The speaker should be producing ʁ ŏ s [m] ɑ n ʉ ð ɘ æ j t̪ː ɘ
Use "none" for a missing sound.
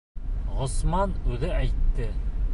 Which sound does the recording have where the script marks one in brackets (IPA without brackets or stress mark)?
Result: m